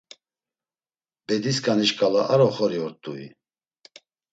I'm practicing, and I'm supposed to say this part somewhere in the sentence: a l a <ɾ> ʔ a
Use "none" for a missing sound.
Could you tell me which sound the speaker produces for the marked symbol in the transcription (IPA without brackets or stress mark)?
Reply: none